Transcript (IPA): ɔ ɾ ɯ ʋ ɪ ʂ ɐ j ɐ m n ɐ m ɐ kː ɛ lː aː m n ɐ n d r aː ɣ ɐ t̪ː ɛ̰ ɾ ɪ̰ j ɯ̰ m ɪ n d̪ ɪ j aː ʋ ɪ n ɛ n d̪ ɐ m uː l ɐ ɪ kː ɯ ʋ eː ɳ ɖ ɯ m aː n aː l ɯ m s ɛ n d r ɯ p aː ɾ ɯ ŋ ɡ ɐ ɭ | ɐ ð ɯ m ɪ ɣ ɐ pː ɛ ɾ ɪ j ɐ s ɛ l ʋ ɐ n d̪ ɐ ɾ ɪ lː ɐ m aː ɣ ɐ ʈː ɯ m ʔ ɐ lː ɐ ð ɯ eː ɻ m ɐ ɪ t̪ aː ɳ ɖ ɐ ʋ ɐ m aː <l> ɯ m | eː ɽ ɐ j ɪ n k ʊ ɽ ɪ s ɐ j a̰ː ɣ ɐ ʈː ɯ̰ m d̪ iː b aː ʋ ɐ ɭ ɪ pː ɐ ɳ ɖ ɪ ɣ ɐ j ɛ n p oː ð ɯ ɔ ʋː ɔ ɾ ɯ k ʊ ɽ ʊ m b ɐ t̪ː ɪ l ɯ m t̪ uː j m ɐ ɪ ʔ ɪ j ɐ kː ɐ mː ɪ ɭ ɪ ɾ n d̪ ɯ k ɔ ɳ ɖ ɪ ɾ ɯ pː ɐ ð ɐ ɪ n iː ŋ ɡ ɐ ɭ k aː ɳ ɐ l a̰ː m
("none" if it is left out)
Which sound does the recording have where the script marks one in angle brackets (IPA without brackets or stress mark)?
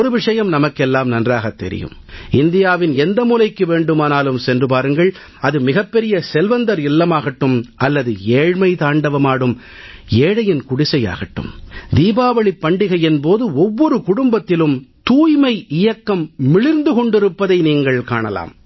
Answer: ɽ